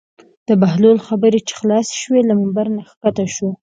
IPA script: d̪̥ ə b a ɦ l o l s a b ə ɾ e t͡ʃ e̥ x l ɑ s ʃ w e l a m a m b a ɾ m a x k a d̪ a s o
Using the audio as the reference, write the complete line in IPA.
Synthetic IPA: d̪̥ ə b a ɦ l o l x a b ə ɾ e t͡ʃ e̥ x l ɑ s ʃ w e l a m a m b a ɾ n a x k a t̪ a ʃ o